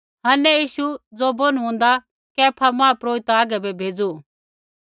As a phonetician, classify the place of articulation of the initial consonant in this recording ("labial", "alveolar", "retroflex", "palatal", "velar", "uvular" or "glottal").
glottal